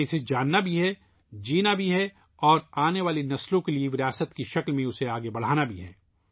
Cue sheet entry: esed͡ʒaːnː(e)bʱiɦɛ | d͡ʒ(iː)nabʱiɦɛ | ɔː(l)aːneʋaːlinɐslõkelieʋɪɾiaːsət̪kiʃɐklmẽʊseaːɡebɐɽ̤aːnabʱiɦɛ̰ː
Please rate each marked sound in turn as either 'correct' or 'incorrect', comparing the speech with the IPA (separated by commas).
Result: incorrect, correct, incorrect